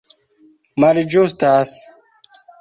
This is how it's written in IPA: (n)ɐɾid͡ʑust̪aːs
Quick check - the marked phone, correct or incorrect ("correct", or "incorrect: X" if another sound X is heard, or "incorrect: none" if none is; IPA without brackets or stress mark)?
incorrect: m